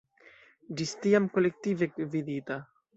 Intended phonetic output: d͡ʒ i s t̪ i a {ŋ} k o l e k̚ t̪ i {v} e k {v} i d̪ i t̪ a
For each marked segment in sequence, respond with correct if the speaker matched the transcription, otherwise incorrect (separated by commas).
incorrect, correct, correct